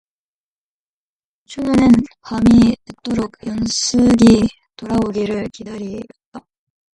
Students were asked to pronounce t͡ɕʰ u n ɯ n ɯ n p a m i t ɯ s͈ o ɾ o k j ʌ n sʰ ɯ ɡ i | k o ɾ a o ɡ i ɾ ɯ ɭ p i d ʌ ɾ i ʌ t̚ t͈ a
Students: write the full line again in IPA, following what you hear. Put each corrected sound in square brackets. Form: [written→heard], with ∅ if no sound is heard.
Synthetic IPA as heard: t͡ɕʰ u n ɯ n ɯ n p a m i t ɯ [s͈→t͈] o ɾ o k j ʌ n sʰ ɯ ɡ i | [k→t] o ɾ a o ɡ i ɾ ɯ ɭ [p→k] i d [ʌ→a] ɾ i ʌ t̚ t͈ a

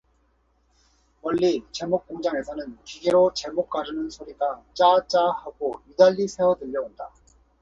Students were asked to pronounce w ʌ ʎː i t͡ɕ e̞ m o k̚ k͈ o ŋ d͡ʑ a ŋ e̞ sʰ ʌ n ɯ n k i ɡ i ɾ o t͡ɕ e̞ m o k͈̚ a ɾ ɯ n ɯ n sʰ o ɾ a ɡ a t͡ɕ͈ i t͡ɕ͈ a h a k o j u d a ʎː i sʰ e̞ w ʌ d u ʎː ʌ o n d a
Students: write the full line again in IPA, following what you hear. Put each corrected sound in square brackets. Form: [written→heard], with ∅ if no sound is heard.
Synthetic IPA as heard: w ʌ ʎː i t͡ɕ e̞ m o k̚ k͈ o ŋ d͡ʑ a ŋ e̞ sʰ ʌ n ɯ n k i ɡ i ɾ o t͡ɕ e̞ m o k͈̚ a ɾ ɯ n ɯ n sʰ o ɾ [a→i] ɡ a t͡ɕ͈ [i→a] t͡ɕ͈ a h a [k→ɡ] o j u d a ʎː i sʰ e̞ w ʌ d [u→ɯ] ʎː ʌ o n d a

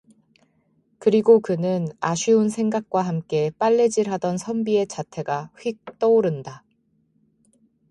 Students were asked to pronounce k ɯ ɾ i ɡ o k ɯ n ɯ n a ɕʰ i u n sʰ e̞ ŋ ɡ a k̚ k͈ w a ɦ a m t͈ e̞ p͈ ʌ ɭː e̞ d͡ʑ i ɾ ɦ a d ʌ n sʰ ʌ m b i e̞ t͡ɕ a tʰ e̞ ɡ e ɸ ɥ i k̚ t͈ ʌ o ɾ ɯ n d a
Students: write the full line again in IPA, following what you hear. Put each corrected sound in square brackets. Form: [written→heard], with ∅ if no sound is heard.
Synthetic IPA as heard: k ɯ ɾ i ɡ o k ɯ n ɯ n a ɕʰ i u n sʰ e̞ ŋ ɡ a k̚ k͈ w a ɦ a m [t͈→k͈] e̞ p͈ [ʌ→a] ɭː e̞ d͡ʑ i ɾ ɦ a d ʌ n sʰ ʌ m b i e̞ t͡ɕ a tʰ e̞ ɡ [e→a] ɸ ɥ i k̚ t͈ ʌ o ɾ ɯ n d a

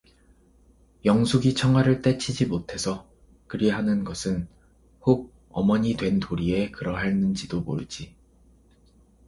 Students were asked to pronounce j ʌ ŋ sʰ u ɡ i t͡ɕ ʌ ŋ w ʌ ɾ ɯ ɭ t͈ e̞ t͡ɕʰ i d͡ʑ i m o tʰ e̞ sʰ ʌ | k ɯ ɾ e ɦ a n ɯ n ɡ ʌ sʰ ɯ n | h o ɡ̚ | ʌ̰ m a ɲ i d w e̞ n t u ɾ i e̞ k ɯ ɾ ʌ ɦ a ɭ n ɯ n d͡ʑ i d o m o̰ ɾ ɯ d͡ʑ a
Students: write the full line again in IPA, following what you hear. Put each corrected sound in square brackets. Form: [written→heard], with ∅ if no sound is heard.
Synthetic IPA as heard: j ʌ ŋ sʰ u ɡ i [t͡ɕ→t͡ɕʰ] ʌ ŋ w [ʌ→a] ɾ ɯ ɭ t͈ e̞ t͡ɕʰ i d͡ʑ i m o tʰ e̞ sʰ ʌ | k ɯ ɾ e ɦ a n ɯ n ɡ ʌ sʰ ɯ n | h o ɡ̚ | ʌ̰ m [a→ʌ] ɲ i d w e̞ n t [u→o] ɾ i e̞ k ɯ ɾ ʌ ɦ a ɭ n ɯ n d͡ʑ i d o m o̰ ɾ ɯ d͡ʑ [a→i]

